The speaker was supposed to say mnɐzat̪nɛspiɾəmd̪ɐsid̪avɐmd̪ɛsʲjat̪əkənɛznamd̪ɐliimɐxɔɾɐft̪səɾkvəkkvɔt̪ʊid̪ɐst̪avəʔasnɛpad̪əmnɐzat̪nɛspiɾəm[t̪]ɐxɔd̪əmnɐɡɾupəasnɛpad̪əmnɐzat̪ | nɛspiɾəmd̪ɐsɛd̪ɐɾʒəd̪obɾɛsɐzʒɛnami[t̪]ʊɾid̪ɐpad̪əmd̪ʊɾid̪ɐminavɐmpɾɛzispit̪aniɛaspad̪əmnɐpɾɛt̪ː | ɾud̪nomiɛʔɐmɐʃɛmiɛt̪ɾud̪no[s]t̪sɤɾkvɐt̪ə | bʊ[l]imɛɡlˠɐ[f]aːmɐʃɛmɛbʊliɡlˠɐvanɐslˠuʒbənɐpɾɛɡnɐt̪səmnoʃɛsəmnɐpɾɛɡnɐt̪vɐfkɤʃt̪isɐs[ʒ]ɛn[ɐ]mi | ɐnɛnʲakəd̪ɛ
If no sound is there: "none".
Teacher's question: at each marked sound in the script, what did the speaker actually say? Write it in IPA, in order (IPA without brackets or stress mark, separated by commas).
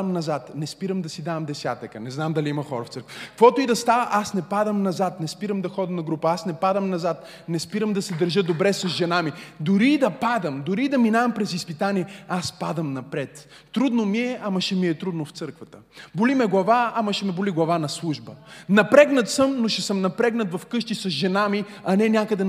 d̪, d̪, f, l, v, ʒ, a